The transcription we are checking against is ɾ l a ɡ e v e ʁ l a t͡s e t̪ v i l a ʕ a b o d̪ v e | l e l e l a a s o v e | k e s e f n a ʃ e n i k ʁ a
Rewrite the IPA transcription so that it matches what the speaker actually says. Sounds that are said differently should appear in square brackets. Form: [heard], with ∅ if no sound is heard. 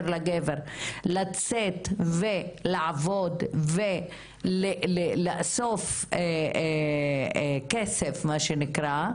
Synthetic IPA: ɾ l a ɡ e v e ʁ l a t͡s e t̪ v [e] l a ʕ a [v] o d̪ v e | l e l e l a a s o [f] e | k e s e f [m] a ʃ e n i k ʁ a

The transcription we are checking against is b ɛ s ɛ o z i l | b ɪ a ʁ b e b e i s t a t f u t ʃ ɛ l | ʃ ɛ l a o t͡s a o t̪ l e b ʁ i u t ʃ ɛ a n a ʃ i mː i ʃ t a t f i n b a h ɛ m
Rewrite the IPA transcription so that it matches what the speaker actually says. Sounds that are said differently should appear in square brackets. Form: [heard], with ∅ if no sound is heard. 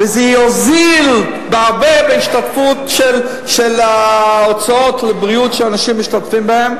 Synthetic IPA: [v] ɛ [z] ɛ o z i l | b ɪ a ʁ b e b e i [ʃ] t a t f u t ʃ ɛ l | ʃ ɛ l a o t͡s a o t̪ l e b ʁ i u t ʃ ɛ a n a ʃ i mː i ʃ t a t f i [m] b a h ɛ m

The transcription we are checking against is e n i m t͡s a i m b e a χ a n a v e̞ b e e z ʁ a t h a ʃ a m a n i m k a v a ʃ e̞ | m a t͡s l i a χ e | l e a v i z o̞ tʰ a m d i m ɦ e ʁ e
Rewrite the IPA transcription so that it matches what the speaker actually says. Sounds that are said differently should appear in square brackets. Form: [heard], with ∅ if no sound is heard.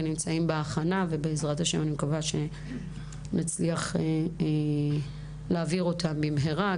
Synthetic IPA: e n i m t͡s a i m b e a χ a n a v e̞ b e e z ʁ a t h a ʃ [e] m a n i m k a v a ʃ e̞ | [n] a t͡s l i a χ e | l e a v i [ʁ] o̞ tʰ a m [b] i m ɦ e ʁ [a]

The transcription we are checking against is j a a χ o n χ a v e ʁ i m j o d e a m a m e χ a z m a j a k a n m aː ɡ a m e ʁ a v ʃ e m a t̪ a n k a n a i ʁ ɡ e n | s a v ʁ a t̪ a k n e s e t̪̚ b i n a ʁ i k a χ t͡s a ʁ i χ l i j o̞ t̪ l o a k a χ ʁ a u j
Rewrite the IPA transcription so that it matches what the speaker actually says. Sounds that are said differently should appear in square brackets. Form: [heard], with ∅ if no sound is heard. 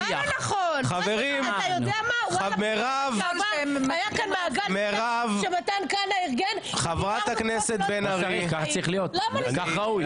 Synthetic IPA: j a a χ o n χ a v e ʁ i m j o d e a m a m e [ʁ] a [v] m a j a k a n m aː ɡ a m e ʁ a v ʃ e m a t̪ a n k a n a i ʁ ɡ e n | [χ] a v ʁ a t̪ a k n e s e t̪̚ b [e] n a ʁ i k a χ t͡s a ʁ i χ l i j o̞ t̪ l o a k a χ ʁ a u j

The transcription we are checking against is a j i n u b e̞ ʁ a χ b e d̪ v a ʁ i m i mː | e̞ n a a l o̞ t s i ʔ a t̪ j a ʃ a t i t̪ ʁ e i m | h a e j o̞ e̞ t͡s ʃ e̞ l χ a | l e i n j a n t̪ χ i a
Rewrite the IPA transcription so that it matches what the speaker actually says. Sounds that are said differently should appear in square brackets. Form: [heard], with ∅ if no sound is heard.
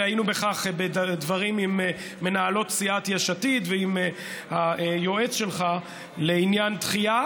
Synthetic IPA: a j i n u b e̞ [χ] a χ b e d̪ v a ʁ i m i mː | e̞ n a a l o̞ t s i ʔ a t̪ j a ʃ a t i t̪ [v] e i m | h a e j o̞ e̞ t͡s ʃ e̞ l χ a | l e i n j a n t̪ χ i a

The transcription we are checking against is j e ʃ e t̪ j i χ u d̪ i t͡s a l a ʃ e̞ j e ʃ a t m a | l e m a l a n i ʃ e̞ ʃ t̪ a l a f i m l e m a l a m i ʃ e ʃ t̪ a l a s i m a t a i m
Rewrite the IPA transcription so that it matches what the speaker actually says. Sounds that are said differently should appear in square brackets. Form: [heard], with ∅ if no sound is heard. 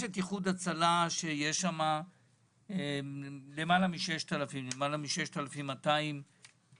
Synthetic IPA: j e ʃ e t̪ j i χ u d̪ [a] t͡s a l a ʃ e̞ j e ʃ a [∅] m a | l e m a l a [m] i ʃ e̞ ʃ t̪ a l a f i m l e m a l a m i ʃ e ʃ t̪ a l a [f] i m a t a i m

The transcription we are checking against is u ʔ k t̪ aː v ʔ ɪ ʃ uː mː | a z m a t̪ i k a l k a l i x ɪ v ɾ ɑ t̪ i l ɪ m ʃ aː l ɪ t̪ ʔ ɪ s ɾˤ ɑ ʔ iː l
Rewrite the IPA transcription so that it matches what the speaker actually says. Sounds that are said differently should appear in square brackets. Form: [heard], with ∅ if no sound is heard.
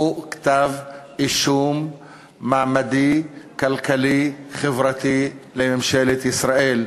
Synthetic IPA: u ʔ k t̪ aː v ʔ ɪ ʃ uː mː | a [ʕ] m a [d̪] i k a l k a l i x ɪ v ɾ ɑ t̪ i l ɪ m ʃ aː l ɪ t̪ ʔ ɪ s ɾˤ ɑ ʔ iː l

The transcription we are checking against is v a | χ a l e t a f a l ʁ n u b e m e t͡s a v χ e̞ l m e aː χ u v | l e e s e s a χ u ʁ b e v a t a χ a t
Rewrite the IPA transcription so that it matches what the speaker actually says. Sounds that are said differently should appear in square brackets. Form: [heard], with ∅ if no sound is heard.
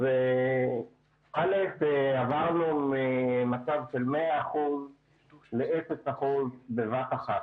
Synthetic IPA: v [e] | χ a l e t a [v] a [∅] ʁ n u [m] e m [a] t͡s a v [ʃ] e̞ l m e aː χ u [z] | l e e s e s a χ u [z] b e v a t a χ a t

